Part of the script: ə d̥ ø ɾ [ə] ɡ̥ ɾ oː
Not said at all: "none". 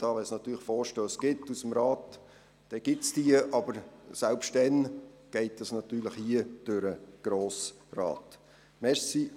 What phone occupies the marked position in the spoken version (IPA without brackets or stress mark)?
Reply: ə